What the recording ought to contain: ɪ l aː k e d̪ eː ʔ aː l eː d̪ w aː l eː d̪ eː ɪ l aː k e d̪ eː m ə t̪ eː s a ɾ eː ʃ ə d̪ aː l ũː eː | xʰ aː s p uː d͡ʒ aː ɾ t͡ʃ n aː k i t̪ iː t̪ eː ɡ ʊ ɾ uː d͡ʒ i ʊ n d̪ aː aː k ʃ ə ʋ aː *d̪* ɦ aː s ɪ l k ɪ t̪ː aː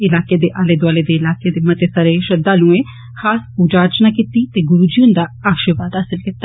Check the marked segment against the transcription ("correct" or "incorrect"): correct